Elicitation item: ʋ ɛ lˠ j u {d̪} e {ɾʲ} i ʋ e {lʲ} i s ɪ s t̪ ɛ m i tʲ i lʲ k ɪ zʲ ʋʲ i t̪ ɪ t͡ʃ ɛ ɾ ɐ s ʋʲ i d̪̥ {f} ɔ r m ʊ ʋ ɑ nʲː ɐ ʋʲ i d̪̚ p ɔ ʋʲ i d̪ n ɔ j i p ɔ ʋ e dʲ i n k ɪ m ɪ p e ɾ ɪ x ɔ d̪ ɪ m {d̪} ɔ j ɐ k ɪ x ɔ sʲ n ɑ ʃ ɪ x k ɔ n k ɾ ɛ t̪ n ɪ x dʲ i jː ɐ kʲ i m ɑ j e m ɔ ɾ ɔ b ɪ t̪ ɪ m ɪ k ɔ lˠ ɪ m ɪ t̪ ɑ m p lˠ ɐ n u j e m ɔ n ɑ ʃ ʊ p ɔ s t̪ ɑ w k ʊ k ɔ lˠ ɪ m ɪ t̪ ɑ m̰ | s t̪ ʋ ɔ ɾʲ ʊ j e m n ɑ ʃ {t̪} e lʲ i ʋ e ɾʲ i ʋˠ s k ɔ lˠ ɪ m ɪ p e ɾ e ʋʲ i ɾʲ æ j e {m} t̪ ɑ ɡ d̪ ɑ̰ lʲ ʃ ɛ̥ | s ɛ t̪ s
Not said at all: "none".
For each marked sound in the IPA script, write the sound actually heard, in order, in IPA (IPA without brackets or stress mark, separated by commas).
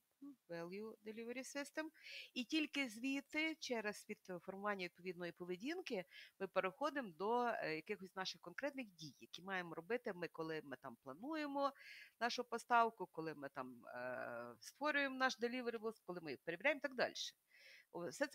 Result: d̪, lʲ, ɾʲ, f, d̪, d̪, m